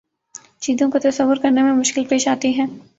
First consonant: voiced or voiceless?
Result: voiceless